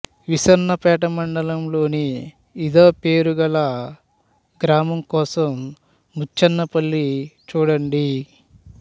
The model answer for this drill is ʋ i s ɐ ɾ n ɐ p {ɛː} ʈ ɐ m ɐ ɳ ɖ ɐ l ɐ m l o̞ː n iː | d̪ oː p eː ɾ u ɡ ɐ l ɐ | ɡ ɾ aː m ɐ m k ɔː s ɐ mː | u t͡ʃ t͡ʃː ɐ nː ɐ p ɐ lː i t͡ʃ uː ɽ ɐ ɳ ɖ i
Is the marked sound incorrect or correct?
correct